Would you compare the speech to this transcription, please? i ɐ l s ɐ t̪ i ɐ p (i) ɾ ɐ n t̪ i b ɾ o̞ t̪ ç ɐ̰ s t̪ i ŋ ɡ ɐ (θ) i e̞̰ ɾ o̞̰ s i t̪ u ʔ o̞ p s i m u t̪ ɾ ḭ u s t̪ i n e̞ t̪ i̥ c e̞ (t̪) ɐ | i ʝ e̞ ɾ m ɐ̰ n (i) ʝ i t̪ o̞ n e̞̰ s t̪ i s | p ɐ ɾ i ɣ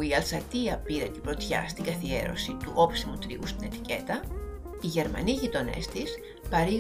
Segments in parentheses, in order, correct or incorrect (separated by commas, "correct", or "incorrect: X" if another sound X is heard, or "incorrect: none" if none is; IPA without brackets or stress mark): correct, correct, correct, correct